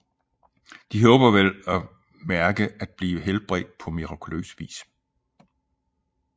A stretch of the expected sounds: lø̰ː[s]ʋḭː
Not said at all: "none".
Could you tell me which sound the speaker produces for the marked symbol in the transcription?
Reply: s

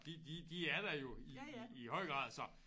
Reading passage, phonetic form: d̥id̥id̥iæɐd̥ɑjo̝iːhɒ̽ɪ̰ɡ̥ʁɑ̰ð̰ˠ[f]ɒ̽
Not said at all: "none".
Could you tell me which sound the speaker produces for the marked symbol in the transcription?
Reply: s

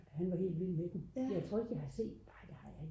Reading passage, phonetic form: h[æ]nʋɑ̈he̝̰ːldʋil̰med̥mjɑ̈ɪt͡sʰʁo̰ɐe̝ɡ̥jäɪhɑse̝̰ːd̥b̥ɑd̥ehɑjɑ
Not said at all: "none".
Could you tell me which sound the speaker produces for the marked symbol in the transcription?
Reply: æ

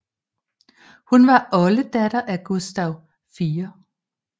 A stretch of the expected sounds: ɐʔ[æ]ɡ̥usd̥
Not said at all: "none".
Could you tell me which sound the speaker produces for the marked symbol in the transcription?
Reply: æ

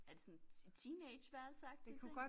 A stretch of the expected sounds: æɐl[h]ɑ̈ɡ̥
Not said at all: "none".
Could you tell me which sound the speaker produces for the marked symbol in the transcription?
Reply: s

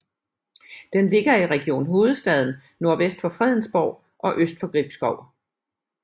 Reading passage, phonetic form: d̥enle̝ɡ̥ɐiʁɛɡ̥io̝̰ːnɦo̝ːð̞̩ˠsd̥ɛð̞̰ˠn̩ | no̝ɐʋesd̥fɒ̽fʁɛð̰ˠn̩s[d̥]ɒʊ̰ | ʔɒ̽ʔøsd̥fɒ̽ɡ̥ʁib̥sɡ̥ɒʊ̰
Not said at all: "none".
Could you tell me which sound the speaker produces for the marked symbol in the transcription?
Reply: b̥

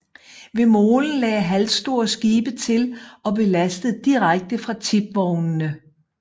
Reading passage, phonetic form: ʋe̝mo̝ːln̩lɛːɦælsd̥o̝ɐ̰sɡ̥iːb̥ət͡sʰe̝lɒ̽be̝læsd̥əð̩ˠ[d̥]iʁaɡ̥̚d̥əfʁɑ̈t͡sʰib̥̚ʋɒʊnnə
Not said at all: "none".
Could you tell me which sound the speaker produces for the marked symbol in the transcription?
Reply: d̥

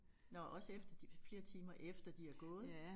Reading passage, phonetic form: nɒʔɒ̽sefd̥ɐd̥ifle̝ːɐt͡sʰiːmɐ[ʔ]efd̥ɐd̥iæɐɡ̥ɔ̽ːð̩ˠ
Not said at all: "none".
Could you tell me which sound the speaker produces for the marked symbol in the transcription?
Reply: ʔ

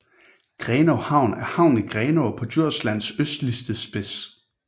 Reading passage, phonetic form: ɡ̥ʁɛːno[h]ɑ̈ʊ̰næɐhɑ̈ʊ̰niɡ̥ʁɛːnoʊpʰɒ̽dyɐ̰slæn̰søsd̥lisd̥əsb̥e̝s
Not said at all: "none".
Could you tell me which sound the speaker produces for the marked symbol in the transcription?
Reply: h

